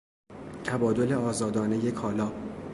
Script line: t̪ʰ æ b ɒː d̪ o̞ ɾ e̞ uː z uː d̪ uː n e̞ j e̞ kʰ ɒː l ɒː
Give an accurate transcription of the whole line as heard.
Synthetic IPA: t̪ʰ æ b ɒː d̪ o̞ l e̞ ɒː z ɒː d̪ ɒː n e̞ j e̞ kʰ ɒː l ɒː